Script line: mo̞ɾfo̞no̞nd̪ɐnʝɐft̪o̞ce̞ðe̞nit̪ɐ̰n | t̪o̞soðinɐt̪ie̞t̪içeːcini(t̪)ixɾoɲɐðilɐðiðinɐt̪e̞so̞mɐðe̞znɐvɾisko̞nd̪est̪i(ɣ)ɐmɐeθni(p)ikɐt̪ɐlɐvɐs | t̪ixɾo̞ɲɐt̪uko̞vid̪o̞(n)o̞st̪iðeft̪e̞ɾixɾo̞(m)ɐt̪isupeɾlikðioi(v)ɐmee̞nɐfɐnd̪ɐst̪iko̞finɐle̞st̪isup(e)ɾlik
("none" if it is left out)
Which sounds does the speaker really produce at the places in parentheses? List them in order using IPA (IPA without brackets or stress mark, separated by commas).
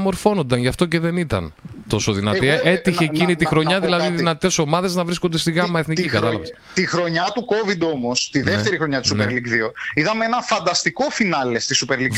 t̪, ɣ, c, m, ɲ, ð, e